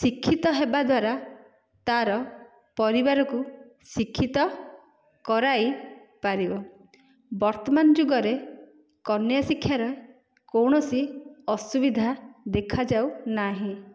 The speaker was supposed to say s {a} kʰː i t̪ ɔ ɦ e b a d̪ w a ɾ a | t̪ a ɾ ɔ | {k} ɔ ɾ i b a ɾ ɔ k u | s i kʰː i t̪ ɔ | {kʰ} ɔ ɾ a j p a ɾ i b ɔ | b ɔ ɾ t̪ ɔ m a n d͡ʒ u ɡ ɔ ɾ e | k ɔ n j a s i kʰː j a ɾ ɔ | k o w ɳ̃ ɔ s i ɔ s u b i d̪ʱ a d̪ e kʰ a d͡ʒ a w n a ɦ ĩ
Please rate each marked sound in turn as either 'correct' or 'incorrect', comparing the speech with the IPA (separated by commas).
incorrect, incorrect, incorrect